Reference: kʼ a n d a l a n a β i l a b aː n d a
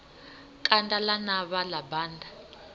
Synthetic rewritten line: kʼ a n d a l a n a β a l a b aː n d a